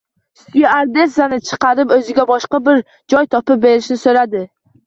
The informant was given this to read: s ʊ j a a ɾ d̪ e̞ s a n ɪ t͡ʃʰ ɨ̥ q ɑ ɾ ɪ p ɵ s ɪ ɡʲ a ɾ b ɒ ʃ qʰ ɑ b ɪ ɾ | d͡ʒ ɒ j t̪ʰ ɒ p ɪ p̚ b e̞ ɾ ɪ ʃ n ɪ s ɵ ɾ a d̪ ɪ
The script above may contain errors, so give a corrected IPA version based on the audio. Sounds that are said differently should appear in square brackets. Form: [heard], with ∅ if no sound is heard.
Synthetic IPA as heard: s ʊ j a a ɾ d̪ e̞ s a n ɪ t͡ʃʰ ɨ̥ q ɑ ɾ ɪ p ɵ [z] ɪ ɡʲ a [∅] b ɒ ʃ [q] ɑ b ɪ ɾ | d͡ʒ ɒ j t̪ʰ ɒ p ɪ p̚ b e̞ ɾ ɪ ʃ n ɪ s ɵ ɾ a d̪ ɪ